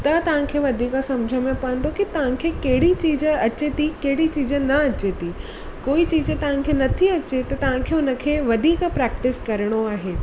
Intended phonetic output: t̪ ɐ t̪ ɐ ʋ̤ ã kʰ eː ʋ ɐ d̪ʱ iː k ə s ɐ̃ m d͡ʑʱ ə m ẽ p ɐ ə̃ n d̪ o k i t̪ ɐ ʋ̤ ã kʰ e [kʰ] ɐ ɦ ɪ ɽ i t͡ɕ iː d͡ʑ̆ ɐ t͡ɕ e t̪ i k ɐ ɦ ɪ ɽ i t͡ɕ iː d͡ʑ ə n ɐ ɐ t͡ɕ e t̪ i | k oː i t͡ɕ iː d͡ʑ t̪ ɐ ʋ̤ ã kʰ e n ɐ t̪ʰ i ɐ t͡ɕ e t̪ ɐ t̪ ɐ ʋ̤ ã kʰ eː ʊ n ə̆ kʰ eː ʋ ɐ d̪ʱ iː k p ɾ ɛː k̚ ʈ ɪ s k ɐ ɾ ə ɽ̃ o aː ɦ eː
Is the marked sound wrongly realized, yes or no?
yes